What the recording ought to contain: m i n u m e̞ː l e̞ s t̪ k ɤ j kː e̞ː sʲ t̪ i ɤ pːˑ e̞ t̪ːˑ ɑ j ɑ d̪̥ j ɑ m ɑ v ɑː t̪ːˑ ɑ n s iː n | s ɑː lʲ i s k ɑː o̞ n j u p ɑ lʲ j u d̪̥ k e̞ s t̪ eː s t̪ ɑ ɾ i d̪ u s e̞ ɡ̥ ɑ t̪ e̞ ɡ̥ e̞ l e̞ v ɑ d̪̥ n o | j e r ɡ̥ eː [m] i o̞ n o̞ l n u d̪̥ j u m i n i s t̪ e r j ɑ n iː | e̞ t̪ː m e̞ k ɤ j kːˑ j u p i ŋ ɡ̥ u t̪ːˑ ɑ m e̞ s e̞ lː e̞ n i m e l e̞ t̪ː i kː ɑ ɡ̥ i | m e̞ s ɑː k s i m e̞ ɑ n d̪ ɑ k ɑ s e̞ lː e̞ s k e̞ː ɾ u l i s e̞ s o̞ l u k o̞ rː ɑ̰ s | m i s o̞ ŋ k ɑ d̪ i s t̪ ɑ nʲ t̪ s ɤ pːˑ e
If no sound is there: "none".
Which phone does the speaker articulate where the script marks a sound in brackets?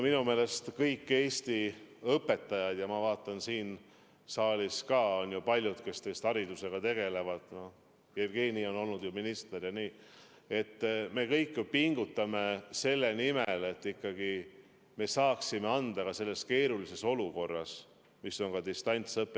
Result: n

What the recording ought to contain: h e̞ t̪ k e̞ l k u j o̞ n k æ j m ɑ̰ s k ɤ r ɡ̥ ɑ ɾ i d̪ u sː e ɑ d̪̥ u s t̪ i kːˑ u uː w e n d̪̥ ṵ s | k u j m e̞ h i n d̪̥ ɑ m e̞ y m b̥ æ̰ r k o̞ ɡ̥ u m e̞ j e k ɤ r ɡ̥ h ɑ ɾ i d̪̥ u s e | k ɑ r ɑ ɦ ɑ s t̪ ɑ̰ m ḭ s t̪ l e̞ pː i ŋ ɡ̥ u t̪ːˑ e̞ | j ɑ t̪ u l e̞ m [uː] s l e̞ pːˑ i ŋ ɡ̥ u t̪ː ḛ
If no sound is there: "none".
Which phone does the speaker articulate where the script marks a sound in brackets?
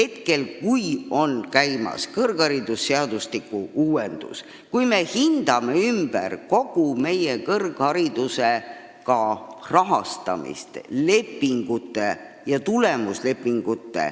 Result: u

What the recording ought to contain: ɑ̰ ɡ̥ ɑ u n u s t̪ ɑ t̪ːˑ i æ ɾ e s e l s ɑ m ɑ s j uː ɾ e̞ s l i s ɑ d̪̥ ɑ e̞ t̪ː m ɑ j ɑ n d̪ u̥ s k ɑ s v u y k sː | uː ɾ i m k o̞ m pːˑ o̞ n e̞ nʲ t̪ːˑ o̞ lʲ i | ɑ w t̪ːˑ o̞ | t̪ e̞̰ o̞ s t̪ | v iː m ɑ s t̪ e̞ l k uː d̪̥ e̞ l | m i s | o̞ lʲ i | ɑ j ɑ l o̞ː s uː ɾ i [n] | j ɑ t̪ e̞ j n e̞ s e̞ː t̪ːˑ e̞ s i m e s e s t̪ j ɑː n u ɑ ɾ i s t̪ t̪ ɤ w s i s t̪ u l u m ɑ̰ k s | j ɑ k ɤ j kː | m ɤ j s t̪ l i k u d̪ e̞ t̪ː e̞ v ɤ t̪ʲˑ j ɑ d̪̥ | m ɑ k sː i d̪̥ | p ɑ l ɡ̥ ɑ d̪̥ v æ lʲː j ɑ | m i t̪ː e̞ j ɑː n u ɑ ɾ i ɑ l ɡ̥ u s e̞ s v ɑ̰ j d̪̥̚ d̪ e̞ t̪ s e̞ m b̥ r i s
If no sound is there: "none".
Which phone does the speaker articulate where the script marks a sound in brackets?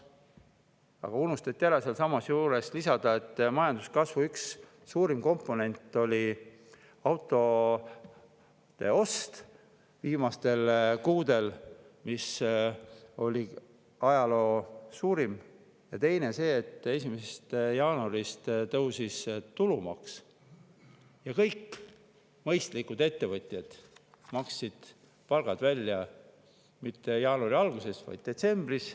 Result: m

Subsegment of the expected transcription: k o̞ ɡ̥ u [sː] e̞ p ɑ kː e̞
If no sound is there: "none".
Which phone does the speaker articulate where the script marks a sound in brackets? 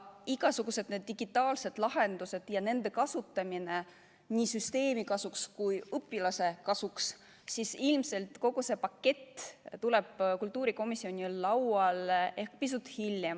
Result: s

